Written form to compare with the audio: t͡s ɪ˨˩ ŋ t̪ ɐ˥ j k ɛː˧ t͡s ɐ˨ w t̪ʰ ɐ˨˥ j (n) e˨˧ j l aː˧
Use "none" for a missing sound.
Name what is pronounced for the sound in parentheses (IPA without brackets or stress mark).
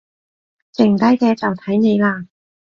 n